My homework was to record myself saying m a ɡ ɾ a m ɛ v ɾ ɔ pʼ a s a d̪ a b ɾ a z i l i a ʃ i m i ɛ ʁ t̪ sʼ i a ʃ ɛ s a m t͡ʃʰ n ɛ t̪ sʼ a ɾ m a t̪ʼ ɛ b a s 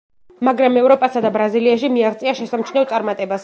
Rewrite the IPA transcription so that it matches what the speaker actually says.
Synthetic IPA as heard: m a ɡ ɾ a m ɛ v ɾ ɔ pʼ a s a d̪ a b ɾ a z i l i a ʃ i m i a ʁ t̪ sʼ i a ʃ ɛ s a m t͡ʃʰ n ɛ t̪ sʼ a ɾ m a t̪ʼ ɛ b a s

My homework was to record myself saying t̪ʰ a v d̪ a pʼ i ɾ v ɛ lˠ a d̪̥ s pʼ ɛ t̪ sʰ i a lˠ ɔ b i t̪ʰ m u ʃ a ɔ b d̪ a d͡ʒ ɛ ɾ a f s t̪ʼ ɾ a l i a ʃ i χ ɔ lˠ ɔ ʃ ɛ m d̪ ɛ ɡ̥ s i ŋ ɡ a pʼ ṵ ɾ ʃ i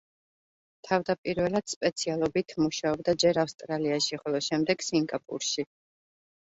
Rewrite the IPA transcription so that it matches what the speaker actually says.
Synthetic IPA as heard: t̪ʰ a v d̪ a pʼ i ɾ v ɛ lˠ a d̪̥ s pʼ ɛ t̪ sʰ i a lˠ ɔ b i t̪ʰ m u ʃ a ɔ b d̪ a d͡ʒ ɛ ɾ a f s t̪ʼ ɾ a l i a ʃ i χ ɔ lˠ ɔ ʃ ɛ m d̪ ɛ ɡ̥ s i ŋ ɡ a pʼ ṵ ɾ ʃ i

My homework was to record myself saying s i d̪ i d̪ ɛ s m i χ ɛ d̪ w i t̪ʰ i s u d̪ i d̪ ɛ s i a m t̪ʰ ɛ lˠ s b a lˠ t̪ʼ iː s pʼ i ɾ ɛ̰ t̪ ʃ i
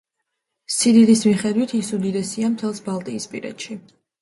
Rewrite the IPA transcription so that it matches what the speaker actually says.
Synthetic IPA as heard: s i d̪ i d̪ i s m i χ ɛ d̪ w i t̪ʰ i s u d̪ i d̪ ɛ s i a m t̪ʰ ɛ lˠ s b a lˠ t̪ʼ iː s pʼ i ɾ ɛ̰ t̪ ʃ i

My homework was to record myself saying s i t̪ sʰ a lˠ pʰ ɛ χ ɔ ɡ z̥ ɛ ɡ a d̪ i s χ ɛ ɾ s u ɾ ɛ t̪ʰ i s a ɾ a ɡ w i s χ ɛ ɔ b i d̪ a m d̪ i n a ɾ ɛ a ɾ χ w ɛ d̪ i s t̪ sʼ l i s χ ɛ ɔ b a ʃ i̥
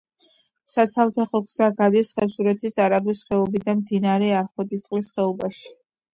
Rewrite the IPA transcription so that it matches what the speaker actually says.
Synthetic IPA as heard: s a t̪ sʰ a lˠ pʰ ɛ χ ɔ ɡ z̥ a ɡ a d̪ i s χ ɛ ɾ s u ɾ ɛ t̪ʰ i s a ɾ a ɡ w i s χ ɛ ɔ b i d̪ a m d̪ i n a ɾ ɛ a ɾ χ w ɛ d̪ i s t̪ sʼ l i s χ ɛ ɔ b a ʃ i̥

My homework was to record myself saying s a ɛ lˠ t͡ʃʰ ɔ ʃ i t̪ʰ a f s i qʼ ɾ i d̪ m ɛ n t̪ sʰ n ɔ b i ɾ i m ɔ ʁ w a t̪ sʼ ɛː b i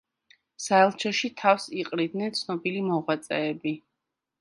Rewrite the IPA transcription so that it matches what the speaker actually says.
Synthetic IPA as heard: s a ɛ lˠ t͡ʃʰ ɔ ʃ i t̪ʰ a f s i qʼ ɾ i d̪ n ɛ n t̪ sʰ n ɔ b i l i m ɔ ʁ w a t̪ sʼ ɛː b i

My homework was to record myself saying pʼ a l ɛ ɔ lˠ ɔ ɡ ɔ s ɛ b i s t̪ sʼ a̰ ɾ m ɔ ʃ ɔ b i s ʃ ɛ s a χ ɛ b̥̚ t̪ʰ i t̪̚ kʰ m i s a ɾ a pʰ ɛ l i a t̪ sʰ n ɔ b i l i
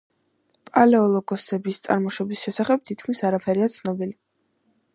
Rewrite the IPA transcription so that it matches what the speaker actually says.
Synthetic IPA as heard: pʼ a l ɛ ɔ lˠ ɔ ɡ ɔ s ɛ b i s t̪ sʼ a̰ ɾ m ɔ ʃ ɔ b i s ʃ ɛ s a χ ɛ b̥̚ t̪ʰ i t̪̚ kʰ m i s a ɾ a pʰ ɛ ɾ i a t̪ sʰ n ɔ b i l i

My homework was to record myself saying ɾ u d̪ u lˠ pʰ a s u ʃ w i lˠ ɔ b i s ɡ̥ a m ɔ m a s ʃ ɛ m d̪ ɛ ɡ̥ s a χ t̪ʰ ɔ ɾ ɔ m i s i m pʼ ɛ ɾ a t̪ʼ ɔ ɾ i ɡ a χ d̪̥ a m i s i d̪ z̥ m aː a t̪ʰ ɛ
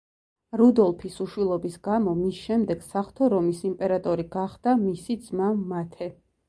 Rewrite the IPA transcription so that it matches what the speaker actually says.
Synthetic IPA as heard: ɾ u d̪ ɔ lˠ pʰ i s u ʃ w i lˠ ɔ b i s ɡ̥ a m ɔ m i s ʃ ɛ m d̪ ɛ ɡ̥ s a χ t̪ʰ ɔ ɾ ɔ m i s i m pʼ ɛ ɾ a t̪ʼ ɔ ɾ i ɡ a χ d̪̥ a m i s i d̪ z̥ m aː a t̪ʰ ɛ

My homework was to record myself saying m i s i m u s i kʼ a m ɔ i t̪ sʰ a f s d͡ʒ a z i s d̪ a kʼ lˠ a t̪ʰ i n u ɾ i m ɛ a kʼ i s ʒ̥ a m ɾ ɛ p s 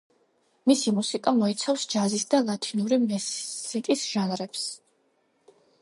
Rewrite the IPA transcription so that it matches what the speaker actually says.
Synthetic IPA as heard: m i s i m u s i kʼ a m ɔ i t̪ sʰ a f s d͡ʒ a z i s d̪ a lˠ a t̪ʰ i n u ɾ i m ɛ i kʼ i s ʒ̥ a n ɾ ɛ p s

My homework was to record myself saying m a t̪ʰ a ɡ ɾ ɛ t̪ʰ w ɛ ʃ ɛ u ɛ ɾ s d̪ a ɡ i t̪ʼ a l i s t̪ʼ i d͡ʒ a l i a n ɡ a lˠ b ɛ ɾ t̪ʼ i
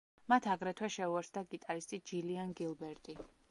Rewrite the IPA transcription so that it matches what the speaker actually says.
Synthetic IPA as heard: m a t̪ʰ a ɡ ɾ ɛ t̪ʰ w ɛ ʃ ɛ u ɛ ɾ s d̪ a ɡ i t̪ʼ a ɾ i s t̪ʼ i d͡ʒ i l i a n ɡ i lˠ b ɛ ɾ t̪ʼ i

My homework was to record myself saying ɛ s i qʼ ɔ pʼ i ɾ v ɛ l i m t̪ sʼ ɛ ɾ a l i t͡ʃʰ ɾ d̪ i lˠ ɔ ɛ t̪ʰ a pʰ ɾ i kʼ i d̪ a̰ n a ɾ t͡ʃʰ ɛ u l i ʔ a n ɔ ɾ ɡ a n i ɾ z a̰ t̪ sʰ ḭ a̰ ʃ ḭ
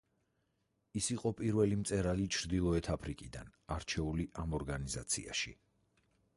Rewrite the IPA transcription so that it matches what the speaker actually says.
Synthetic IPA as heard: i s i qʼ ɔ pʼ i ɾ v ɛ l i m t̪ sʼ ɛ ɾ a l i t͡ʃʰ ɾ d̪ i lˠ ɔ ɛ t̪ʰ a pʰ ɾ i kʼ i d̪ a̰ n a ɾ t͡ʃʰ ɛ u l i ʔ a m ɔ ɾ ɡ a n i z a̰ t̪ sʰ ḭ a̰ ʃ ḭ

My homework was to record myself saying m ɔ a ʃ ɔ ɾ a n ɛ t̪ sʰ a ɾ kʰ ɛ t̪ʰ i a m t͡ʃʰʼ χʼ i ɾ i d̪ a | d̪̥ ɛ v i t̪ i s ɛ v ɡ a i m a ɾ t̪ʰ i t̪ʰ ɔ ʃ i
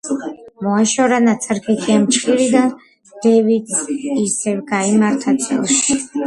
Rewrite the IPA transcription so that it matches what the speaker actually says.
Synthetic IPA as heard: m ɔ a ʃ ɔ ɾ a n a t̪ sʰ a ɾ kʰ ɛ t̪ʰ i a m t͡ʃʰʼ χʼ i ɾ i d̪ a | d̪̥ ɛ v i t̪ i s ɛ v ɡ a i m a ɾ t̪ʰ a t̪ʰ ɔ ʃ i

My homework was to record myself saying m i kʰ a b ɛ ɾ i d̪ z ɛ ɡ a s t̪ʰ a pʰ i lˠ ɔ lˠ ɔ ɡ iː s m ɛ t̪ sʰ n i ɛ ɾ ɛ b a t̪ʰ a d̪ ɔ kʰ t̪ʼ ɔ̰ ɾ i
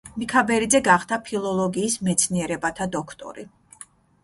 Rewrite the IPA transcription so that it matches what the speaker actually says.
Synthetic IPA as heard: m i kʰ a b ɛ ɾ i d̪ z ɛ ɡ a χ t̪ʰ a pʰ i lˠ ɔ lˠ ɔ ɡ iː s m ɛ t̪ sʰ n i ɛ ɾ ɛ b a t̪ʰ a d̪ ɔ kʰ t̪ʼ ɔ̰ ɾ i

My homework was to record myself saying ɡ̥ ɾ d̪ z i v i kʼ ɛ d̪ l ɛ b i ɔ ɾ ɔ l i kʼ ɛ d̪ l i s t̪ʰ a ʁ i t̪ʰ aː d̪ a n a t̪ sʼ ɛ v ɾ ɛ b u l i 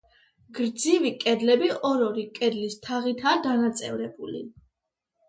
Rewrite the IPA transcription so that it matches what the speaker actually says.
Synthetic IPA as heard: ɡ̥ ɾ d̪ z i v i kʼ ɛ d̪ l ɛ b i ɔ ɾ ɔ ɾ i kʼ ɛ d̪ l i s t̪ʰ a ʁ i t̪ʰ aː d̪ a n a t̪ sʼ ɛ v ɾ ɛ b u l i

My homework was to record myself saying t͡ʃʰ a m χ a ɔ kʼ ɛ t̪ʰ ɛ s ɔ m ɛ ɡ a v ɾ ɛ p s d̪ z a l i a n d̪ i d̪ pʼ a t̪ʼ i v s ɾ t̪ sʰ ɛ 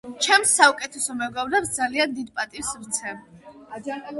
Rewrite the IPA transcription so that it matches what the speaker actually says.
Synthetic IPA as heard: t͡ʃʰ ɛ m s a u kʼ ɛ t̪ʰ ɛ s ɔ m ɛ ɡ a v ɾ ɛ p s d̪ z a l i a n d̪ i d̪ pʼ a t̪ʼ i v s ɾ t̪ sʰ ɛ

